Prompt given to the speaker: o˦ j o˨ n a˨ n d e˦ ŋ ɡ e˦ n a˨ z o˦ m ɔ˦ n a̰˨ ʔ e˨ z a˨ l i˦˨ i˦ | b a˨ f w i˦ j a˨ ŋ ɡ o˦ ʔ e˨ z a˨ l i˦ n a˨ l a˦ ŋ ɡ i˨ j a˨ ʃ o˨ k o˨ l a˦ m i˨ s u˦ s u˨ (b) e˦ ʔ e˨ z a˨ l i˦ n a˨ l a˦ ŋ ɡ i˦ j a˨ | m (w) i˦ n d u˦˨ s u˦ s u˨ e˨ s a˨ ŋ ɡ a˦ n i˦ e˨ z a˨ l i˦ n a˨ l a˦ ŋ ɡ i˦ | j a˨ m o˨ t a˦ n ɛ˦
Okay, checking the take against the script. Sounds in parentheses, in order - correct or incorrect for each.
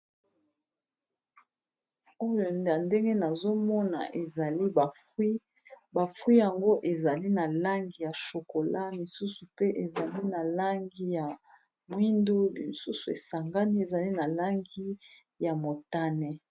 incorrect: p, correct

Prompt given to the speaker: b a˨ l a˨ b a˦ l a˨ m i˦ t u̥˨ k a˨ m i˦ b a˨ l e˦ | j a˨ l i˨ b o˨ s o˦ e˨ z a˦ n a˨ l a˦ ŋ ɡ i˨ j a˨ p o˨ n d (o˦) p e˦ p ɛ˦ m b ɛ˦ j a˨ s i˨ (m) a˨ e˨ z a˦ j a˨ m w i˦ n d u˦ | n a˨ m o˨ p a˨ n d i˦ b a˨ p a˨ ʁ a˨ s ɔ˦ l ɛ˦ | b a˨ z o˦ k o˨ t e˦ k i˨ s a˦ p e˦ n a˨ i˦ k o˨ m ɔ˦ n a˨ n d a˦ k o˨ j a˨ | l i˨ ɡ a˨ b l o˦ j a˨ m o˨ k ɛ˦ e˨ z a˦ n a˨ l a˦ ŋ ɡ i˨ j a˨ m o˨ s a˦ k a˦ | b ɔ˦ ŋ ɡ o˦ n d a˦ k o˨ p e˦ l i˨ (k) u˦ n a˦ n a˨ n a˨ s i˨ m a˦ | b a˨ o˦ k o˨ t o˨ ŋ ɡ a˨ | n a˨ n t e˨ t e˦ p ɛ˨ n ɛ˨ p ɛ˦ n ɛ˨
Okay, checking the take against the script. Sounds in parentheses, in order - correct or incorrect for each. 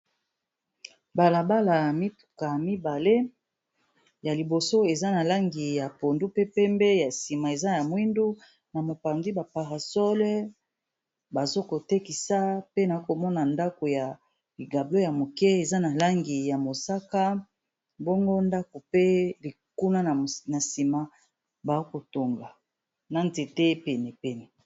incorrect: u˦, correct, correct

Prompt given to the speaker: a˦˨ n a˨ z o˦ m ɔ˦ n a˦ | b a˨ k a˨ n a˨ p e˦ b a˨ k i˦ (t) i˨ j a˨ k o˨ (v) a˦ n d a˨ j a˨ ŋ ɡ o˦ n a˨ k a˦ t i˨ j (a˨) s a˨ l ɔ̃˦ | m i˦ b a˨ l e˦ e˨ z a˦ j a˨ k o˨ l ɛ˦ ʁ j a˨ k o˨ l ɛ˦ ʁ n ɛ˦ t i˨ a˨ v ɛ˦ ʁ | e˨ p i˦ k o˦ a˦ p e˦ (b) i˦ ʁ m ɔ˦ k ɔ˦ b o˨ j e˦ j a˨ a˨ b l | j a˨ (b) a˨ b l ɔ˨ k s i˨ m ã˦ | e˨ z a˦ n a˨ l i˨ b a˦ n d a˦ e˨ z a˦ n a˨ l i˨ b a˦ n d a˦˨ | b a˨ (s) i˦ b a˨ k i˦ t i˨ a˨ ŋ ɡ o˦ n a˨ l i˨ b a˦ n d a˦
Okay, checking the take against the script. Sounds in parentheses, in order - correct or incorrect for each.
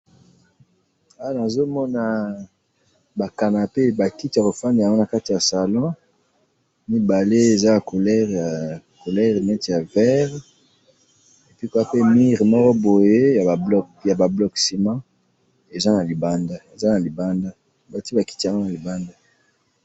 correct, incorrect: f, correct, incorrect: m, correct, incorrect: t

